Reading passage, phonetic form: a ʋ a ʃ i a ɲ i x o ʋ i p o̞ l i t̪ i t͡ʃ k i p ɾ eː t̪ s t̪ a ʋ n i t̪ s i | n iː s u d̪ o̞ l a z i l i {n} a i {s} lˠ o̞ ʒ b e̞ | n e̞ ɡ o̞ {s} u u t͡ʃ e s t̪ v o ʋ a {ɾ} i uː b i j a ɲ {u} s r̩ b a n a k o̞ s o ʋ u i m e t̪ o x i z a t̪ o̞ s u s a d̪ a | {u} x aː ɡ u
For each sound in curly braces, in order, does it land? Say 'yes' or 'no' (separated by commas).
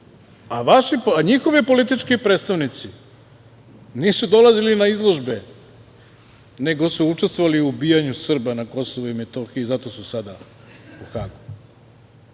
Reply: yes, no, yes, no, yes, yes